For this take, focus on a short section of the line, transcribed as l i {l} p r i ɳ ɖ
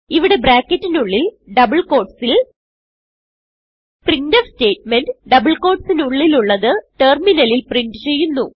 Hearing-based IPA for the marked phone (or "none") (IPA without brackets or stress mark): l